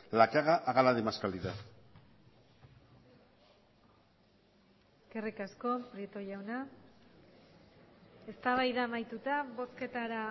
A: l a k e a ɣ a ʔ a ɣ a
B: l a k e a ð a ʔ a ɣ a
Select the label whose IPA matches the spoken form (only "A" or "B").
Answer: A